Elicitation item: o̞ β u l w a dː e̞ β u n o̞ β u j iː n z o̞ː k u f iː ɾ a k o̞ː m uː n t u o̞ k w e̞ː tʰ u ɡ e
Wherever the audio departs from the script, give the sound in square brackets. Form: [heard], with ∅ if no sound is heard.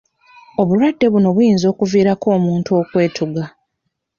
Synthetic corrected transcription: o̞ β u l w a dː e̞ β u n o̞ β u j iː n z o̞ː k u [v] iː ɾ a k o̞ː m uː n t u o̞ k w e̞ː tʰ u ɡ [a]